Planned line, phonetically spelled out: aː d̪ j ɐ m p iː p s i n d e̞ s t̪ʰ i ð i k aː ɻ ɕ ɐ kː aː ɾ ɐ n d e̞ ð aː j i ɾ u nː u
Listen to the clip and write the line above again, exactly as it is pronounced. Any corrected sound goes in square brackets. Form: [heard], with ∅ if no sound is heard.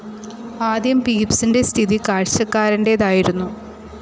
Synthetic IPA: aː d̪ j ɐ m p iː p s i n d e̞ s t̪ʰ i ð i k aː ɻ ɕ ɐ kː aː ɾ ɐ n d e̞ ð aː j i ɾ u nː u